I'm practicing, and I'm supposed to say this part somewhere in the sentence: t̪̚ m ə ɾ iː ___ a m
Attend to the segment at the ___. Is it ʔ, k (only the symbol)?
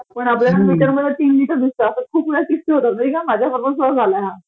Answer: k